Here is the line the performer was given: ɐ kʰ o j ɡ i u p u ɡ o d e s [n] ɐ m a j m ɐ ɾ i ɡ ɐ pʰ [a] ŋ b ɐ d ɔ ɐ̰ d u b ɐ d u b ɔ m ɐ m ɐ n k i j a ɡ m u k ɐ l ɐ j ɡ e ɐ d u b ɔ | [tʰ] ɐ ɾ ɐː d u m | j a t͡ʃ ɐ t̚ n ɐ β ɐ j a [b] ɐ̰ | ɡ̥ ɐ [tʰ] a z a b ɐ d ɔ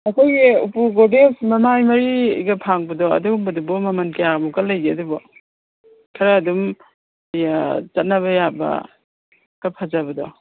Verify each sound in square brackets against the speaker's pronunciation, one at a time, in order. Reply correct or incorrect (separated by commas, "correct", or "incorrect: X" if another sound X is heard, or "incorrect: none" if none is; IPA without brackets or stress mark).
incorrect: m, correct, incorrect: kʰ, correct, incorrect: pʰ